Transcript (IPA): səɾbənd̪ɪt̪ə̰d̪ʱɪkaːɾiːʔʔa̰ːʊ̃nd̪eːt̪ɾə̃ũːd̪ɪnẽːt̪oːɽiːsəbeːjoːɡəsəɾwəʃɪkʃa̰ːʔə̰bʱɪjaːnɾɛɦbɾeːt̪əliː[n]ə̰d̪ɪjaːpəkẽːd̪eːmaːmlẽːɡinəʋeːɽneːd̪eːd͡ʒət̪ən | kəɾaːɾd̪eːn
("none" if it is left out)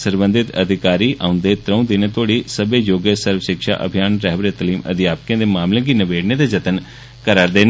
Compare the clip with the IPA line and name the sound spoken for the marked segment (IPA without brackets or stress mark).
m